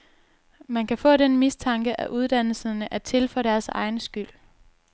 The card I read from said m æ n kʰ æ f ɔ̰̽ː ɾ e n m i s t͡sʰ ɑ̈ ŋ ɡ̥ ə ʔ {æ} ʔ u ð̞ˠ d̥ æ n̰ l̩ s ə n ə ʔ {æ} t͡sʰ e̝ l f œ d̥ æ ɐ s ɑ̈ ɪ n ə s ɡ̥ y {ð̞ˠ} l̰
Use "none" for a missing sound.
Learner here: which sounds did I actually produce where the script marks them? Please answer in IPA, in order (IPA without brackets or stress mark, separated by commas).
æ, æ, none